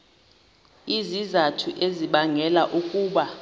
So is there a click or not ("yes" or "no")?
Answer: no